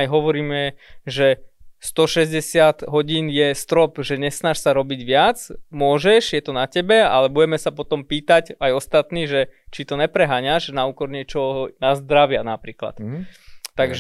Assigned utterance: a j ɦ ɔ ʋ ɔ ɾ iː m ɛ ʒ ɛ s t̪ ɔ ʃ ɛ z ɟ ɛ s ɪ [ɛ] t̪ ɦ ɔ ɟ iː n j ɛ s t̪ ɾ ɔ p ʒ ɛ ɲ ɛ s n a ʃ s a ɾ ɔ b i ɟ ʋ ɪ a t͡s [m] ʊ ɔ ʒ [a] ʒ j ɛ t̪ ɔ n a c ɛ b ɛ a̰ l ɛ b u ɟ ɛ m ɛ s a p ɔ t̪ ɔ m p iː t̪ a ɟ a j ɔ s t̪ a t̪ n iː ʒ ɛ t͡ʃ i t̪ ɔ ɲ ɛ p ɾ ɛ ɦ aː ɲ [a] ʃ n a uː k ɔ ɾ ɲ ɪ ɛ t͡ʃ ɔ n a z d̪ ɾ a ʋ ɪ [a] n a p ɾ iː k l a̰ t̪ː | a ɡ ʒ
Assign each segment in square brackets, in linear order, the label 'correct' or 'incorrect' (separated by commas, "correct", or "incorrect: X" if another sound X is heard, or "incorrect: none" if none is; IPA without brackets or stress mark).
incorrect: a, correct, incorrect: ɛ, correct, correct